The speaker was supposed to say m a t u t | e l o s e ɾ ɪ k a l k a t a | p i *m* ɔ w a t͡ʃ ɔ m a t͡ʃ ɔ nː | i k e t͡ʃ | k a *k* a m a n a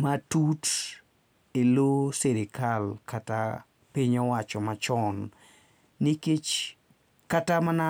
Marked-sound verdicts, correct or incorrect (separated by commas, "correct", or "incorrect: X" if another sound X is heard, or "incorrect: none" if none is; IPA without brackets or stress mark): incorrect: ɲ, incorrect: t